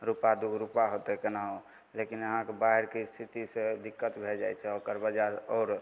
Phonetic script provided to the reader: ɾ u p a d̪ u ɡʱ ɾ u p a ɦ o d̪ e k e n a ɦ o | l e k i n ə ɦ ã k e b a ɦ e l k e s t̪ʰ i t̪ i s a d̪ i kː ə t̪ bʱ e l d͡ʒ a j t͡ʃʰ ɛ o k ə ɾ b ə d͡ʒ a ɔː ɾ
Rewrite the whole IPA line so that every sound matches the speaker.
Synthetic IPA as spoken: ɾ u p a d̪ u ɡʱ ɾ u p a ɦ o t̪ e k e n a ɦ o | l e k i n ə ɦ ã k e b a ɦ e ɾ k e s t̪ʰ i t̪ i s e d̪ i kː ə t̪ bʱ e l d͡ʒ a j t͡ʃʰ ɛ o k ə ɾ b ə d͡ʒ a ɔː ɾ

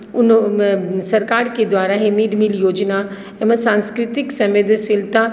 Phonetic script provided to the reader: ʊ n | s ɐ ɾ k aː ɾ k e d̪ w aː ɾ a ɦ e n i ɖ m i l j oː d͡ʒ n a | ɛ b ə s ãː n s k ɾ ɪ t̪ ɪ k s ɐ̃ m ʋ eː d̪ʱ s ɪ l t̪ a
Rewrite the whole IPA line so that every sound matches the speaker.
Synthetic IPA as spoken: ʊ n | s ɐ ɾ k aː ɾ k e d̪ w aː ɾ a ɦ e m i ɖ m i l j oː d͡ʒ n a | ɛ m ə s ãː n s k ɾ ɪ t̪ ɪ k s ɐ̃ m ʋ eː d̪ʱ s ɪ l t̪ a

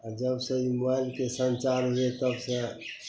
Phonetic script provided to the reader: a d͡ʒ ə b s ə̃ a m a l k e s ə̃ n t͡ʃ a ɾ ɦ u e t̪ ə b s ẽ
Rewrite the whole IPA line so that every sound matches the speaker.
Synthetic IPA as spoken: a d͡ʒ ə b s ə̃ i m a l k e s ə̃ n t͡ʃ a ɾ ɦ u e t̪ ə b s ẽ

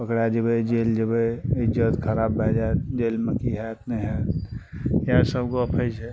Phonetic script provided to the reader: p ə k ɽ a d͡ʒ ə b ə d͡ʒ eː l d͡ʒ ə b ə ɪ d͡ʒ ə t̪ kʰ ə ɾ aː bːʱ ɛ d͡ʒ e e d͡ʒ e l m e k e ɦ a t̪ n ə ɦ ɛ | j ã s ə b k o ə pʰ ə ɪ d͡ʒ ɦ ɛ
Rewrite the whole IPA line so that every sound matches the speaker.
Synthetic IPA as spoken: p ə k ɽ a d͡ʒ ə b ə d͡ʒ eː l d͡ʒ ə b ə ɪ d͡ʒ ə t̪ kʰ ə ɾ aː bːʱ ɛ d͡ʒ a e d͡ʒ e l m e k i ɦ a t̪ n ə ɦ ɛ | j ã s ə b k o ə pʰ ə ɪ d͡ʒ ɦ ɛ

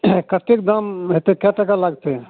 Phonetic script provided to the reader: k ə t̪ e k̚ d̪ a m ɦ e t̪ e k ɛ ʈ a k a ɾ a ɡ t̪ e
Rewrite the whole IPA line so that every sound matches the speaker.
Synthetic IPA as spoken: k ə t̪ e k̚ d̪ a m ɦ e t̪ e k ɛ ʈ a k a l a ɡ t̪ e

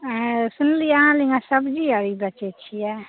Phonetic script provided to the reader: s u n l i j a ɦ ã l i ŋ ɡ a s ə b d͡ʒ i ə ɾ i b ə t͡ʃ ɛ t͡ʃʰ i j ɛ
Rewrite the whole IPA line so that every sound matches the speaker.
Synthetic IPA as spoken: s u n l i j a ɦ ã l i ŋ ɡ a s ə b d͡ʒ i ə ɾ i b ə t͡ʃ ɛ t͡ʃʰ i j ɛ

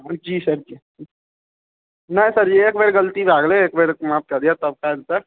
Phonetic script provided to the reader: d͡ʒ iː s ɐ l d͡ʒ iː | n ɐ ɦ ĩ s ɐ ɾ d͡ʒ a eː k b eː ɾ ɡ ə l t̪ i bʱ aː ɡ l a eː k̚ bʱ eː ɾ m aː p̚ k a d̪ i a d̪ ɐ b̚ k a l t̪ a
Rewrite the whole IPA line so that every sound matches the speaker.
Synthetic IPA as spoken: d͡ʒ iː s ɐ ɾ d͡ʒ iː | n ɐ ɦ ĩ s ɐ ɾ d͡ʒ i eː k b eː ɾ ɡ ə l t̪ i bʱ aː ɡ l e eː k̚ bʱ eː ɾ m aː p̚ k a d̪ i a t̪ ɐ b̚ k a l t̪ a

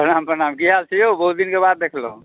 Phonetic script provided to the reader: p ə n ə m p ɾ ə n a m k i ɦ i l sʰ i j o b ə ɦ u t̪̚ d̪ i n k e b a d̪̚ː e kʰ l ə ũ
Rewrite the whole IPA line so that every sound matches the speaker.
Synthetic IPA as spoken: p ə n a m p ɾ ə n a m k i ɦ a l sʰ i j o b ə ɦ u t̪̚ d̪ i n k e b a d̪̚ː e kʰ l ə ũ

